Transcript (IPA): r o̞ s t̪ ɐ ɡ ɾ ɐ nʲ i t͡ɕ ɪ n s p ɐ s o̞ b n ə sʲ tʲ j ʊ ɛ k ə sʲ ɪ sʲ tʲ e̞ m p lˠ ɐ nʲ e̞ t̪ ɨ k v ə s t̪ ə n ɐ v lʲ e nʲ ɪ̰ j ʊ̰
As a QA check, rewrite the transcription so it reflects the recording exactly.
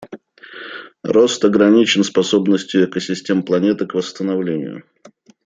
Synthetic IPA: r o̞ s t̪ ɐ ɡ ɾ ɐ nʲ i t͡ɕ ɪ n s p ɐ s o̞ b n ə sʲ tʲ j ʊ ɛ k ə sʲ ɪ sʲ tʲ e̞ m p lˠ ɐ nʲ e̞ t̪ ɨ k v ə s t̪ ə n ɐ v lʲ e nʲ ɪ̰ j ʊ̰

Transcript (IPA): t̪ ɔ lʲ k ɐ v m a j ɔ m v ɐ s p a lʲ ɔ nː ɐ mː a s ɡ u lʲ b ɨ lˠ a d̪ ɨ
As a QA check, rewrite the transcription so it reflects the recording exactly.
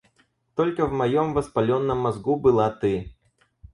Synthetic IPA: t̪ ɔ lʲ k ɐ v m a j ɔ m v ɐ s p a lʲ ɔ nː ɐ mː a z ɡ u b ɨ lˠ a t̪ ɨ

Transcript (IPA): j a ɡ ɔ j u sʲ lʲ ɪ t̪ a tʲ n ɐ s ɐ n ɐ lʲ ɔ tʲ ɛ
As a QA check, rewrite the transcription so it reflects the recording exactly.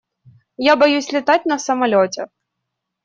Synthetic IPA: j a b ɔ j u sʲ lʲ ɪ t̪ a tʲ n ɐ s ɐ m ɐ lʲ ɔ tʲ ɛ

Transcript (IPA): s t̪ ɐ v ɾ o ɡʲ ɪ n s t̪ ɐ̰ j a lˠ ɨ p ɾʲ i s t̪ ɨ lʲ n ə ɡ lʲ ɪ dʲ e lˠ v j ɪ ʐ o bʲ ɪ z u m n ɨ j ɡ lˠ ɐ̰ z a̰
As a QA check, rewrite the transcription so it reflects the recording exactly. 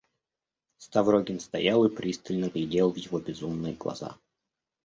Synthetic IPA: s t̪ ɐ v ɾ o ɡʲ ɪ n s t̪ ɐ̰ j a lˠ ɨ p ɾʲ i s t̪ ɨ lʲ n ə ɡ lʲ ɪ dʲ e lˠ v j ɪ v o bʲ ɪ z u m n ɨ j ɡ lˠ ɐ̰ z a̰

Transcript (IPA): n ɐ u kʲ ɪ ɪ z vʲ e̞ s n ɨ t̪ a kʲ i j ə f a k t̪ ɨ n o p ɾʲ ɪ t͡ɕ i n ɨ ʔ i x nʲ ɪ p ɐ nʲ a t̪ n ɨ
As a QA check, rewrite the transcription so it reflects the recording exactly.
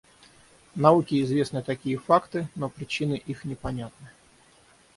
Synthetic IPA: n ɐ u kʲ ɪ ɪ z vʲ e̞ s n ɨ t̪ ɐ kʲ i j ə f a k t̪ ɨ n o p ɾʲ ɪ t͡ɕ i n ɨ ʔ i x nʲ ɪ p ɐ nʲ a t̪ n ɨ

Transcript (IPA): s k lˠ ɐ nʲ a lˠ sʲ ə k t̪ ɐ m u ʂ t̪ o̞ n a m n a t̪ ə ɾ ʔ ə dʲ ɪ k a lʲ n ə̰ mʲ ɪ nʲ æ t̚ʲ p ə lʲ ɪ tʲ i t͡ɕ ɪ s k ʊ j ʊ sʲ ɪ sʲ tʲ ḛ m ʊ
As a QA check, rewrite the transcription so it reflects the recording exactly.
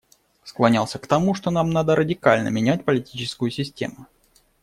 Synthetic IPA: s k lˠ ɐ nʲ a lˠ sʲ ə k t̪ ɐ m u ʂ t̪ o̞ n a m n a d̪ ə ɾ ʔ ə dʲ ɪ k a lʲ n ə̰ mʲ ɪ nʲ æ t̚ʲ p ə lʲ ɪ tʲ i t͡ɕ ɪ s k ʊ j ʊ sʲ ɪ sʲ tʲ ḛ m ʊ

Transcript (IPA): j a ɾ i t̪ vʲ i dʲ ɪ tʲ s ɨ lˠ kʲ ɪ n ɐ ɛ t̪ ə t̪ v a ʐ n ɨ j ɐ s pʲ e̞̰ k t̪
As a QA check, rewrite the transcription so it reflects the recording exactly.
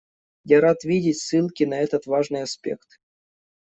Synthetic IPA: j a ɾ a t̪ vʲ i dʲ ɪ tʲ s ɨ lˠ kʲ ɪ n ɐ ɛ t̪ ə t̪ v a ʐ n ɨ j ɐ s pʲ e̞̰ k t̪

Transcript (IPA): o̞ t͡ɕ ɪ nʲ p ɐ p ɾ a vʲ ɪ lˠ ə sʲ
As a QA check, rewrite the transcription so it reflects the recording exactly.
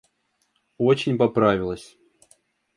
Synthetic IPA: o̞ t͡ɕ ɪ nʲ p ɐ p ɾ a vʲ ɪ lˠ ə sʲ

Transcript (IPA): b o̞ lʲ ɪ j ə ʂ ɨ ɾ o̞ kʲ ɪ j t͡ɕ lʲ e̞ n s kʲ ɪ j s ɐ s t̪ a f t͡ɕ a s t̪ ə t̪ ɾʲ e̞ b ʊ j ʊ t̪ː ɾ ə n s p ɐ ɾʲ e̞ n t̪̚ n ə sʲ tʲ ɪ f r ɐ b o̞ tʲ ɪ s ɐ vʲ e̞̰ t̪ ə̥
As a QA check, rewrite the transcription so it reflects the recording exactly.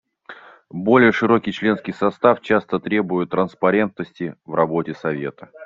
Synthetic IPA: b o̞ lʲ ɪ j ə ʂ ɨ ɾ o̞ kʲ ɪ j t͡ɕ lʲ e̞ n s kʲ ɪ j s ɐ s t̪ a f t͡ɕ a s t̪ ə t̪ ɾʲ e̞ b ʊ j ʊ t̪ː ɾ ə n s p ɐ ɾʲ e̞ n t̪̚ n ə sʲ tʲ ɪ v r ɐ b o̞ tʲ ɪ s ɐ vʲ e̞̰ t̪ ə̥

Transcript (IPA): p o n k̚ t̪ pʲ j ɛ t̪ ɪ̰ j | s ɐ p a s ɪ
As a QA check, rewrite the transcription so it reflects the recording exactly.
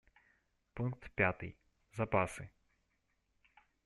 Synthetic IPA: p u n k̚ t̪ pʲ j a t̪ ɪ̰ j | z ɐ p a s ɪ

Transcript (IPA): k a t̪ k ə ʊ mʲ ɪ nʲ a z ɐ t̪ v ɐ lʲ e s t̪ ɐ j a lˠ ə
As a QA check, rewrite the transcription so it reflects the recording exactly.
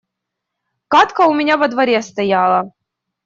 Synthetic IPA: k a t̪ k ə ʊ mʲ ɪ nʲ a v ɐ d̪ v ɐ ɾʲ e s t̪ ɐ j a lˠ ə

